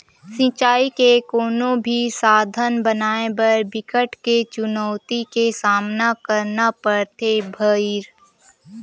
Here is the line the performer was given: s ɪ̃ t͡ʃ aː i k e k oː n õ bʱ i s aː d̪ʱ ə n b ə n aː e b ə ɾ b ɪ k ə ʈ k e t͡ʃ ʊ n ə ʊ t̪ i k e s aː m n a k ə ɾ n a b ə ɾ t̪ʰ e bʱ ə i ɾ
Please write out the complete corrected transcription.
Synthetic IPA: s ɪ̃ t͡ʃ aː i k e k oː n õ bʱ i s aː d̪ʱ ə n b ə n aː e b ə ɾ b ɪ k ə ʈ k e t͡ʃ ʊ n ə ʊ t̪ i k e s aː m n a k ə ɾ n a p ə ɾ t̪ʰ e bʱ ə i ɾ